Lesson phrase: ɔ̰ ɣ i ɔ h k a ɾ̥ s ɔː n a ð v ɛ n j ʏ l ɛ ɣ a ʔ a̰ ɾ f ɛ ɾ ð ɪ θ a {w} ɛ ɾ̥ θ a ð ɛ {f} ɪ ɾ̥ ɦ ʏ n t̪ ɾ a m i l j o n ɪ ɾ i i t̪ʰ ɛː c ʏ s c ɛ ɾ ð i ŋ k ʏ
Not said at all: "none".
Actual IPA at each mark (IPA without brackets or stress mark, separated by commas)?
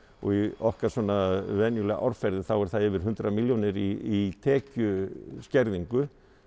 w, v